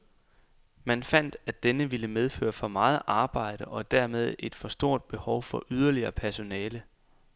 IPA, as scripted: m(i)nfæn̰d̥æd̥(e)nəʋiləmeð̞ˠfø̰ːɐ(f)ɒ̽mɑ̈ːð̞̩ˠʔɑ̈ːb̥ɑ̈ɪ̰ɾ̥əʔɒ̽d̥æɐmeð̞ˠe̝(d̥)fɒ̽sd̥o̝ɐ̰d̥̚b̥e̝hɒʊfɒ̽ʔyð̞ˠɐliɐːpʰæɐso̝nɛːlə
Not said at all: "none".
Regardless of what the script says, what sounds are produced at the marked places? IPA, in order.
æ, e, f, d̥

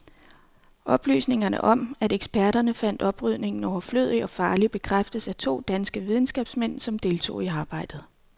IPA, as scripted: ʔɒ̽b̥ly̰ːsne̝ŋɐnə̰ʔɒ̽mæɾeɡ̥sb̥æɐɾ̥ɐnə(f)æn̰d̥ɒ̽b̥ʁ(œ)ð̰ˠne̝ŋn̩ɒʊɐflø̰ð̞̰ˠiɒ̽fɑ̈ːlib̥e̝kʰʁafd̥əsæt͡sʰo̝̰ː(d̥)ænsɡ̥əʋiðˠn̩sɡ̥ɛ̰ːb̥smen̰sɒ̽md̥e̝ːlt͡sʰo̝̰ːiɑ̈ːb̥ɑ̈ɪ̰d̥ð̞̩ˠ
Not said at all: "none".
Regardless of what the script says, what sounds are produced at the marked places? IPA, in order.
f, y, d̥

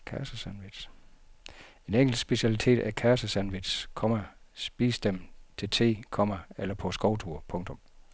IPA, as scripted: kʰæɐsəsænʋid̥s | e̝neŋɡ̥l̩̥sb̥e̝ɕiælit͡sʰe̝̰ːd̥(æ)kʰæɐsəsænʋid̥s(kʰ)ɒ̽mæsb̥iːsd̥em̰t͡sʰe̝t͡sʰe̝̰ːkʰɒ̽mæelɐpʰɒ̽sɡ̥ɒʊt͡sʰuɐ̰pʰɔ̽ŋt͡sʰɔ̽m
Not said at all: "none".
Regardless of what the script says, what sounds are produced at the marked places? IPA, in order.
æ, kʰ

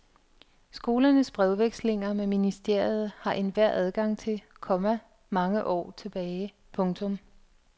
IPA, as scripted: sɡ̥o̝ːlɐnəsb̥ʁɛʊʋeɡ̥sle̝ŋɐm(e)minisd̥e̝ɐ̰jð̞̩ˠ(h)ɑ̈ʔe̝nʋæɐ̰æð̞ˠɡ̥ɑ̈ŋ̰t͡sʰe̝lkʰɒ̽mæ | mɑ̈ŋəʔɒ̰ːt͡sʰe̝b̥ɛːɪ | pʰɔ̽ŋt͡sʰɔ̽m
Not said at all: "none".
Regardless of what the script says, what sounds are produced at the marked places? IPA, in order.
e, h

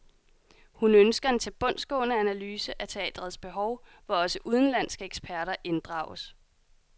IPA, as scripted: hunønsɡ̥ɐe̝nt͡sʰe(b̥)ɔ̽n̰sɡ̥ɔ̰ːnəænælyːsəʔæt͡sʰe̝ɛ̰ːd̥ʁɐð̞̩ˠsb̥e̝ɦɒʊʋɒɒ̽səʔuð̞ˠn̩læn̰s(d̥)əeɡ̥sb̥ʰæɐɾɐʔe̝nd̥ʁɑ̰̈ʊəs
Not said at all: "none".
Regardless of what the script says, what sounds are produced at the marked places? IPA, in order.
b̥, ɡ̥

